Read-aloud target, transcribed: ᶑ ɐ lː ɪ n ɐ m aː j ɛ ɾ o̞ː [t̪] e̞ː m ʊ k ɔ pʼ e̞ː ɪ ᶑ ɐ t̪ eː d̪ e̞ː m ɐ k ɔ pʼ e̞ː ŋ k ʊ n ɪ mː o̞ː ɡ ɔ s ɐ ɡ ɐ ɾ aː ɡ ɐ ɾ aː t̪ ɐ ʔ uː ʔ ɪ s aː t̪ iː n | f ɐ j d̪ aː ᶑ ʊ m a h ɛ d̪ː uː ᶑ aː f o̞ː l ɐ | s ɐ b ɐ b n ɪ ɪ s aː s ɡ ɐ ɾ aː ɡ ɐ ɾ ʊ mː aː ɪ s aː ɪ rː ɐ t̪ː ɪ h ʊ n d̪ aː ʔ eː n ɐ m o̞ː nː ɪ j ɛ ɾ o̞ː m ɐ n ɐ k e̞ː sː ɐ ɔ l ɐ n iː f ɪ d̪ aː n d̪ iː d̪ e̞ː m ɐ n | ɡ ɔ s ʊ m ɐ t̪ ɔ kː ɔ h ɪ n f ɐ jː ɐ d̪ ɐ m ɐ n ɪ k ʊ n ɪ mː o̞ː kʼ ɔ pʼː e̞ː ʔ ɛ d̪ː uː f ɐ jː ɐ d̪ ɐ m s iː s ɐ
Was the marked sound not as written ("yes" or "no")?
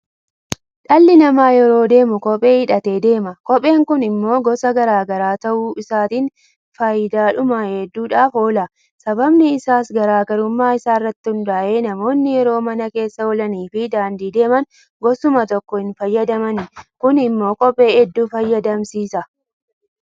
yes